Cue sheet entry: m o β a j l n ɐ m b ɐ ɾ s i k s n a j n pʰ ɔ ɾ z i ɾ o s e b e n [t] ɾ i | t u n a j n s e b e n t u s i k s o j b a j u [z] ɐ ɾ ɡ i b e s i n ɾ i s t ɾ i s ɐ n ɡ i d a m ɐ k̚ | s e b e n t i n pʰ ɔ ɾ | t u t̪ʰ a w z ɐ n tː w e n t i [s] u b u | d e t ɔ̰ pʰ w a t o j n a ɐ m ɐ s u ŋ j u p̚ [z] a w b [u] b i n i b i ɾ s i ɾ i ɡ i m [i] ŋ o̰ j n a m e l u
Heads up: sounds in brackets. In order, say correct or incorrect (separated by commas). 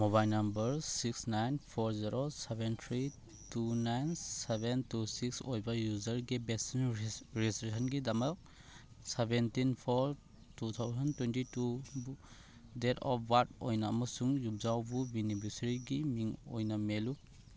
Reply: incorrect, correct, incorrect, correct, correct, correct